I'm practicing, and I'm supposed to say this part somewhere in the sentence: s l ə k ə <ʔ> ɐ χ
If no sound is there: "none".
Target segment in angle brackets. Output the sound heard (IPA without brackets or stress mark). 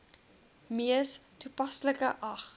ʔ